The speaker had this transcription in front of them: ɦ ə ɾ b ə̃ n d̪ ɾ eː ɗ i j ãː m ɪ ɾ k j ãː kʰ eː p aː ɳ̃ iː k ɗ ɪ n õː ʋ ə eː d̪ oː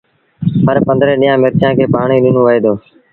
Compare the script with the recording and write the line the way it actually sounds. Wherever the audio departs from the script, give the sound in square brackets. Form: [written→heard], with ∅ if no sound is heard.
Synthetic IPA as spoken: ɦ ə ɾ [b→p] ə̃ n d̪ ɾ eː ɗ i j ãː m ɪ ɾ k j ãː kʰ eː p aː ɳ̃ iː [k→∅] ɗ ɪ n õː ʋ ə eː d̪ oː